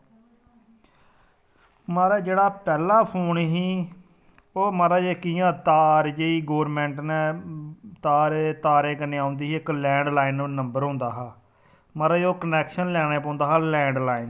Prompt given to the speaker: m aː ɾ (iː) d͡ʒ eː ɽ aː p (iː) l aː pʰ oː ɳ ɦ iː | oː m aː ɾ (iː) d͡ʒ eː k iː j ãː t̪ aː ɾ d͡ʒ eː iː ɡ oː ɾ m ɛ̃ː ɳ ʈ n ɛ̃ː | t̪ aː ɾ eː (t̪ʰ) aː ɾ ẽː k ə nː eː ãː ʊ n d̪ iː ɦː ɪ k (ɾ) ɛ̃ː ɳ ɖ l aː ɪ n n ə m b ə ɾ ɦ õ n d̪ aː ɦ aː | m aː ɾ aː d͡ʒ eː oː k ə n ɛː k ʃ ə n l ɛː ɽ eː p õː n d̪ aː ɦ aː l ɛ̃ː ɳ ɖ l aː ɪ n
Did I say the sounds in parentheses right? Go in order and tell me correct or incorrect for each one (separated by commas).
incorrect, incorrect, incorrect, incorrect, incorrect